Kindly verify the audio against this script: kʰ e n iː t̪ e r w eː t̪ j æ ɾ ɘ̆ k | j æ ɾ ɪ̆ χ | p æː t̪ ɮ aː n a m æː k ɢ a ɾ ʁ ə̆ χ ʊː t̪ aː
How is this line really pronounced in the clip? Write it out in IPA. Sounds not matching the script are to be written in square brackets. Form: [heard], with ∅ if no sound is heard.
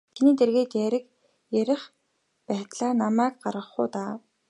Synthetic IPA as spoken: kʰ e n iː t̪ e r [ɣ] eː t̪ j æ ɾ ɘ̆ k | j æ ɾ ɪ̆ χ | p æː t̪ ɮ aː n a m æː k ɢ a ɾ ʁ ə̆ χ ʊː t̪ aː